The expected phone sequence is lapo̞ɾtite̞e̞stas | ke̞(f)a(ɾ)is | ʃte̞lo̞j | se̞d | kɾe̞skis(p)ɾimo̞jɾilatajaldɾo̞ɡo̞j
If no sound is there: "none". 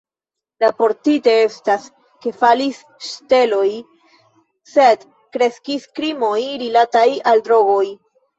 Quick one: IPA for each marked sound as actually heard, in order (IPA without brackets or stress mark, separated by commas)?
f, l, k